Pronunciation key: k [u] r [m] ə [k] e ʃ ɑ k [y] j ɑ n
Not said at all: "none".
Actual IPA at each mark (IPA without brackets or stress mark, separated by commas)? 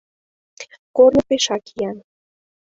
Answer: o, n, p, i